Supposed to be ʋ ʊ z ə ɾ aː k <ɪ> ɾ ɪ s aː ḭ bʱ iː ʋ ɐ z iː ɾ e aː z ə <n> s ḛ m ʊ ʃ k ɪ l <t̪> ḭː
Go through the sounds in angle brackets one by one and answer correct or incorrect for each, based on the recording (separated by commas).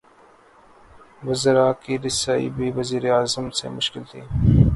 incorrect, incorrect, incorrect